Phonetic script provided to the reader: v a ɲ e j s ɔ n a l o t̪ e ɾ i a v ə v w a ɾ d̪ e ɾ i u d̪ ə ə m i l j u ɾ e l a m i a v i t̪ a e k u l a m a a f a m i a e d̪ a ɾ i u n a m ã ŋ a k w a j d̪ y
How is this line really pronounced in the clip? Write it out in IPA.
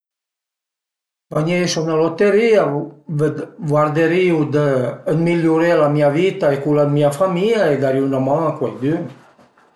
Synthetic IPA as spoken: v a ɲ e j s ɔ n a l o t̪ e ɾ i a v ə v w a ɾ d̪ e ɾ i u d̪ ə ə m i l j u ɾ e l a m i a v i t̪ a e k u l a m i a f a m i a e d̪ a ɾ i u n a m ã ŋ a k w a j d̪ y